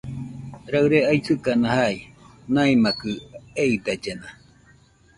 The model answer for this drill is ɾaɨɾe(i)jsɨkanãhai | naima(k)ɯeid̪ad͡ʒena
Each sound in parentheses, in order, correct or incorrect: incorrect, correct

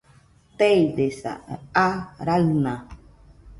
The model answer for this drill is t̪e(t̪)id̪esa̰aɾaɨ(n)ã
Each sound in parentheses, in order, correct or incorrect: incorrect, correct

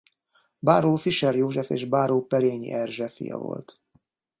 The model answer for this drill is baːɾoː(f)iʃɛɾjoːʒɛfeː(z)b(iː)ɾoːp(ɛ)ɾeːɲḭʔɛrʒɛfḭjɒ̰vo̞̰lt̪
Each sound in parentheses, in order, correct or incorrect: correct, incorrect, incorrect, correct

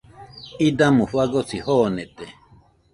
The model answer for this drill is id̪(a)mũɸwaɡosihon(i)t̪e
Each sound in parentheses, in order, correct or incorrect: correct, incorrect

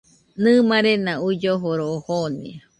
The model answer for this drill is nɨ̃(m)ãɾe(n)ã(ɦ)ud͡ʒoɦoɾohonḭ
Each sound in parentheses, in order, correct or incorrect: correct, correct, incorrect

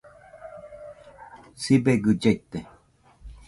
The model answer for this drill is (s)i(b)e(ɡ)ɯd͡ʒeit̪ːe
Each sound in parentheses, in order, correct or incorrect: correct, correct, correct

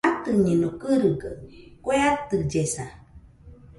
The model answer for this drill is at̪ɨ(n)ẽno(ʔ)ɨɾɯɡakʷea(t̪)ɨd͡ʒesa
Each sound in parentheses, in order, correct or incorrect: incorrect, incorrect, correct

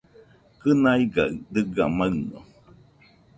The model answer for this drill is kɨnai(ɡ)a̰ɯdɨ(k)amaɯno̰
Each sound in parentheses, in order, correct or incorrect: correct, incorrect

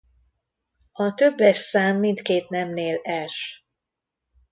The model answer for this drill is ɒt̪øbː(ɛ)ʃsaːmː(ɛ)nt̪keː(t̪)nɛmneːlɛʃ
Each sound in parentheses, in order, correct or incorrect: correct, incorrect, correct

